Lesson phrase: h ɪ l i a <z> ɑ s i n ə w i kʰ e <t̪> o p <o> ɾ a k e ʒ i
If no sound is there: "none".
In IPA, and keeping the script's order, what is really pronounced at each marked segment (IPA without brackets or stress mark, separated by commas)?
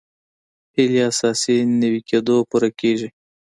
s, d̪, u